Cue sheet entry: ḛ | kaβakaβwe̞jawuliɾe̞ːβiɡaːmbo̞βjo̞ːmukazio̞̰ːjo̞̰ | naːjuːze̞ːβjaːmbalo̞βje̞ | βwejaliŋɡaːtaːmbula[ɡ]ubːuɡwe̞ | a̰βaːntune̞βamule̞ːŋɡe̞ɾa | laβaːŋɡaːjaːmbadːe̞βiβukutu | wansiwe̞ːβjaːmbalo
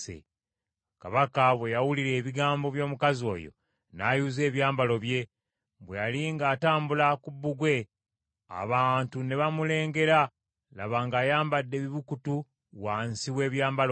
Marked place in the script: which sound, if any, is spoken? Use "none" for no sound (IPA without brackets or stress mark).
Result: k